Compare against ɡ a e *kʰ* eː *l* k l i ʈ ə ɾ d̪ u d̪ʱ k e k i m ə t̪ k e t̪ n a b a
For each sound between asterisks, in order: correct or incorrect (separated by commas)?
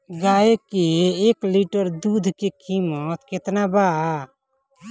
incorrect, incorrect